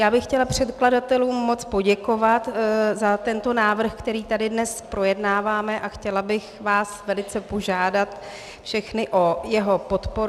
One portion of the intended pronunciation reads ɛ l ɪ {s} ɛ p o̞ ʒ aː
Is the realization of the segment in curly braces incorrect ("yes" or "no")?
yes